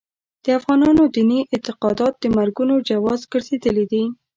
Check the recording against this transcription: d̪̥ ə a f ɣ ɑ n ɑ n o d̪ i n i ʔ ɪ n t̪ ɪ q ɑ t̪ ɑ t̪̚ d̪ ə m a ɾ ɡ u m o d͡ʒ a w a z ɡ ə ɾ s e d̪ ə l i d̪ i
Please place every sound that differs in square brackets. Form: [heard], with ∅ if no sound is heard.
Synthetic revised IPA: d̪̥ ə a f ɣ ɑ n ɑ n o d̪ i n i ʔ ɪ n t̪ ɪ q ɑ [d̪] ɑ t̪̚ d̪ ə m a ɾ ɡ u [n] o d͡ʒ a w [ɑ] z ɡ ə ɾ [z] e d̪ ə l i d̪ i